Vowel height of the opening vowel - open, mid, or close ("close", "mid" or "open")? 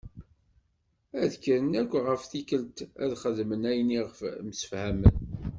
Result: open